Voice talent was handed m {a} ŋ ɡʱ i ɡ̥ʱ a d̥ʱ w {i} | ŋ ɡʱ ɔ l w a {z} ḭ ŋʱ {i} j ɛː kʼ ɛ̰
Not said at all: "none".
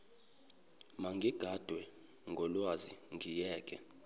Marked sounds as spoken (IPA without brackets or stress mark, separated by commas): a, ɛ, z, i